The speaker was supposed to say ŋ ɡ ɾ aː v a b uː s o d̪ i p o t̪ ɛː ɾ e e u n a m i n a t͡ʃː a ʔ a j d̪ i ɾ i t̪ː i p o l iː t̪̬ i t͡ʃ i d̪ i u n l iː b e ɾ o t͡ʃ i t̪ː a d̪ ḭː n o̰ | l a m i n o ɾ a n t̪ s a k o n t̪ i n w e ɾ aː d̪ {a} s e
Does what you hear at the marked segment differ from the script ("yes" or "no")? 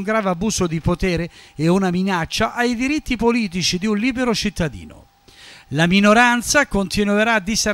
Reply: yes